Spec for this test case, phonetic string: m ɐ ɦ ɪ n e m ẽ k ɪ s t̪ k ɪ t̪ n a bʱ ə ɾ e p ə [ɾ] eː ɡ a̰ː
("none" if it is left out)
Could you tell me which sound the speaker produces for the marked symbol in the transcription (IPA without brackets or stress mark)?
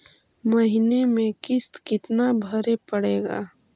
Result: ɽ